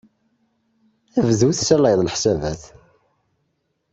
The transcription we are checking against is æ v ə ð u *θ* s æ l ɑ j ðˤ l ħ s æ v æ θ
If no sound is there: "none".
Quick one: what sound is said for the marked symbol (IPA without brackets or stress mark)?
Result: θ